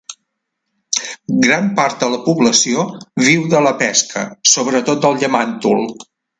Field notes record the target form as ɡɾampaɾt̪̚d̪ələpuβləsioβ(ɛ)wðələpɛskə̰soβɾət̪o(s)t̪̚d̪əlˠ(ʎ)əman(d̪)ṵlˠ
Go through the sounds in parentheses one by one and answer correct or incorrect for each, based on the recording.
incorrect, incorrect, correct, incorrect

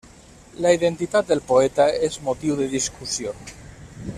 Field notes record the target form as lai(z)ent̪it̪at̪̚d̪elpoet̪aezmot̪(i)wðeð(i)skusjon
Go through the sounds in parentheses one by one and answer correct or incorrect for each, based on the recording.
incorrect, correct, correct

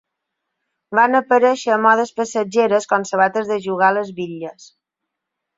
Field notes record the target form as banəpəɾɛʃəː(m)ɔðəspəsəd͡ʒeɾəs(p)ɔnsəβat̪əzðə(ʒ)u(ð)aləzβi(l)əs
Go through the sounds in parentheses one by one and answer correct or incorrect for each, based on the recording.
correct, incorrect, correct, incorrect, incorrect

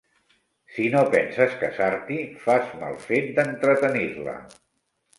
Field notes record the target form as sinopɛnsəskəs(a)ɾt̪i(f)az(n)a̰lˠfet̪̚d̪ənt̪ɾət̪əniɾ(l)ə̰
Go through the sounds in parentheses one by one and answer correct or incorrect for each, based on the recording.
correct, correct, incorrect, correct

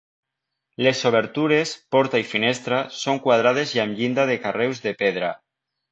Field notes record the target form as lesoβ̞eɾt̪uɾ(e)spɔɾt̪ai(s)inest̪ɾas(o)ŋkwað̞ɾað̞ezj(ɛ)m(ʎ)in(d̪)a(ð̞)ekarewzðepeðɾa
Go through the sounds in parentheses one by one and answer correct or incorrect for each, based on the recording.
correct, incorrect, correct, incorrect, correct, correct, correct

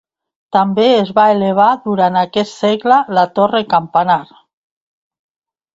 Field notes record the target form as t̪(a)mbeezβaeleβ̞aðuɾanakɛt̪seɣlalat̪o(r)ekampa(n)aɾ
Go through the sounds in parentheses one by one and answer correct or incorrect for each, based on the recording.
correct, correct, correct

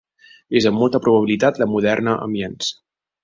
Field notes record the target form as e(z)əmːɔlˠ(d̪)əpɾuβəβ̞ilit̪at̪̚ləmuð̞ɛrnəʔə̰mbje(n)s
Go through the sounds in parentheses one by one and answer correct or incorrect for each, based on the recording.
correct, incorrect, correct

